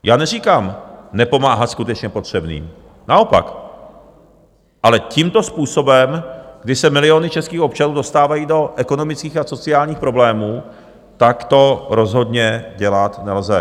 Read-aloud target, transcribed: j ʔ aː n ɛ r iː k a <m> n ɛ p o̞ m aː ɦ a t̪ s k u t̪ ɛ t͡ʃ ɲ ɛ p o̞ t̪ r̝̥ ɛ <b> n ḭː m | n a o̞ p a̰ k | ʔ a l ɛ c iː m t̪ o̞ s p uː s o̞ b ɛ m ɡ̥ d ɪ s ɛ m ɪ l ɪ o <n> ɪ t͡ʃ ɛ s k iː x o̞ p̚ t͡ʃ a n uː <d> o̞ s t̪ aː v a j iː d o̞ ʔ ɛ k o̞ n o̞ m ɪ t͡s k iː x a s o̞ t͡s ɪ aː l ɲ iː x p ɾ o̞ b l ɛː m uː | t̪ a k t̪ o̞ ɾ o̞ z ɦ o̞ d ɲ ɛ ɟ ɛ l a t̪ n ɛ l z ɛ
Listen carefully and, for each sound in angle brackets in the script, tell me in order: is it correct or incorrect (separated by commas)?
correct, correct, correct, correct